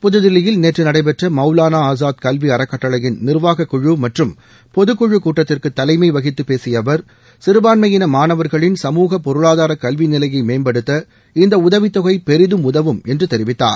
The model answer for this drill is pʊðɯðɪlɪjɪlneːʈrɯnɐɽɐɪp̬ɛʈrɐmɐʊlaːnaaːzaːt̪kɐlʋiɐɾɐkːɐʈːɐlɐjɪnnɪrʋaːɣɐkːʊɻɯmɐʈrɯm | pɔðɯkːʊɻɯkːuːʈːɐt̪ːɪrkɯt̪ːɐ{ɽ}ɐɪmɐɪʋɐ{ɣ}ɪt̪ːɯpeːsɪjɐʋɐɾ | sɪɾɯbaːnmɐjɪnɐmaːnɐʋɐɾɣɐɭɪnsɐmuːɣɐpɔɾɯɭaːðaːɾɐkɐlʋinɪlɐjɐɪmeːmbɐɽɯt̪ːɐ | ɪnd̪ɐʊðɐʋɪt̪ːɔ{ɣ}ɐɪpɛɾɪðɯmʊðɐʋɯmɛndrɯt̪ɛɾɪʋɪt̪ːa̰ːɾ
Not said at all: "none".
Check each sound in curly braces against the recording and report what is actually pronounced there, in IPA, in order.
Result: l, ɣ, ɣ

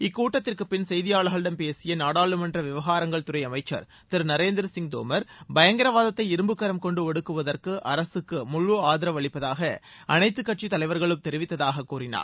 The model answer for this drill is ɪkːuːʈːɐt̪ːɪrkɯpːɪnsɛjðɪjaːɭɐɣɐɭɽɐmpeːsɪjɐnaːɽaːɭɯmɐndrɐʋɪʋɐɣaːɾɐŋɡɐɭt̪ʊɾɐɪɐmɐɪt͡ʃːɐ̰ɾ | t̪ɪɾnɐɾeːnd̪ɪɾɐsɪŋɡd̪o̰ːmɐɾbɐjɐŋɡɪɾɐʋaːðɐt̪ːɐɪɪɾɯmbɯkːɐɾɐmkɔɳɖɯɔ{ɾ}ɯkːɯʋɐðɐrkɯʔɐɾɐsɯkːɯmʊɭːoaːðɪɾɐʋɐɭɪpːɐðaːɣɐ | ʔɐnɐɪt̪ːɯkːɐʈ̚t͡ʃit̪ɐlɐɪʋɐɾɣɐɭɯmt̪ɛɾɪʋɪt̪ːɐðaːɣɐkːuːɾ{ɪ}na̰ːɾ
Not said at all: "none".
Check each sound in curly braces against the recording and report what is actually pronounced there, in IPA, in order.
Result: ɽ, ɪ

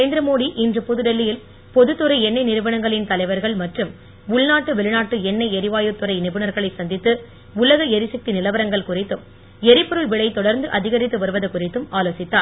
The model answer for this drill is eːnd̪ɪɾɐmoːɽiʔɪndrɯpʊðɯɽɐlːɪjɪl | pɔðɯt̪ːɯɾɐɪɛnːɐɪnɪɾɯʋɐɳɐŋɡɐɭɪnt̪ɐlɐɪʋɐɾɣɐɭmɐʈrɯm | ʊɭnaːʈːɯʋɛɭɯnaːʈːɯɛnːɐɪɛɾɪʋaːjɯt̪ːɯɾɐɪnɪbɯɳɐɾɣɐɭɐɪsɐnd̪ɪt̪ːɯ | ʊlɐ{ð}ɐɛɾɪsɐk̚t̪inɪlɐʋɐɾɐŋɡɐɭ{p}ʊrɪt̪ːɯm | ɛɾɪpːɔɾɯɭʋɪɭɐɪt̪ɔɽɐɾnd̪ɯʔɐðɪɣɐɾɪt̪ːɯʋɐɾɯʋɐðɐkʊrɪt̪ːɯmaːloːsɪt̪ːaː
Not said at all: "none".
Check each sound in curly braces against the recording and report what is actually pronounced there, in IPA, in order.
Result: ɣ, k

